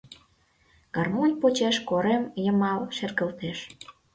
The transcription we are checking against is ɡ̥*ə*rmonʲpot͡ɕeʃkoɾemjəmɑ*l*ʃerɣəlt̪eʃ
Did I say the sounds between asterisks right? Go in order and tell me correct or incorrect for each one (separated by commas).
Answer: incorrect, correct